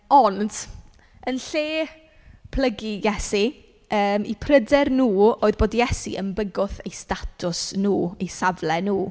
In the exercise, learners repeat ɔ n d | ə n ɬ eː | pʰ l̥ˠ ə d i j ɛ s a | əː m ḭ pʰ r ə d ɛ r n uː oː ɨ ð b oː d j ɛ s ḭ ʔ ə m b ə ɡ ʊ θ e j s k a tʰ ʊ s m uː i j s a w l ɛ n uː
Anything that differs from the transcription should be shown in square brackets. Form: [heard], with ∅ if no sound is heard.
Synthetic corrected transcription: ɔ n d | ə n ɬ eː | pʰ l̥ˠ ə [ɡ] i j ɛ s [i] | əː m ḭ pʰ r ə d ɛ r n uː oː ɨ ð b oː d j ɛ s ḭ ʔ ə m b ə ɡ ʊ θ e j s [t] a tʰ ʊ s [n] uː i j s a [v] l ɛ n uː